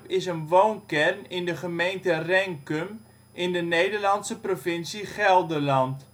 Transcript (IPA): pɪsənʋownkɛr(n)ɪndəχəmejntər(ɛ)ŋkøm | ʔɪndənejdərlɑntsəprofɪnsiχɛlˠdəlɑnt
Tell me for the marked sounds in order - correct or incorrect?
correct, correct

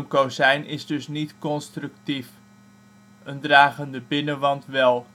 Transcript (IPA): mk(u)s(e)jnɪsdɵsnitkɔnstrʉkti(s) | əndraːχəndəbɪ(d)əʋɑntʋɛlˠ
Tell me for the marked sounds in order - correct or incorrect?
incorrect: o, incorrect: ɛ, incorrect: f, incorrect: n

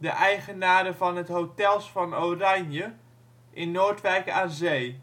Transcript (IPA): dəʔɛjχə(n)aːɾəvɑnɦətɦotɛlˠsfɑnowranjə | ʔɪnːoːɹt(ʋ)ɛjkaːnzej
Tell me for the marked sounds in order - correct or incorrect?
correct, correct

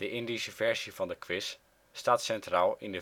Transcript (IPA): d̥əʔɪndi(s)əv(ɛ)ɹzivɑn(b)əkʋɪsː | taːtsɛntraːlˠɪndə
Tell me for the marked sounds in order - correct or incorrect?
correct, correct, incorrect: d

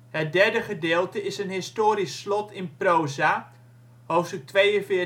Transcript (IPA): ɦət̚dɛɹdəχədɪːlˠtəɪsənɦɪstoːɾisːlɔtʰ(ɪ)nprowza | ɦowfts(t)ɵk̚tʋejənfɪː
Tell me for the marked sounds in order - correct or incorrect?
correct, correct

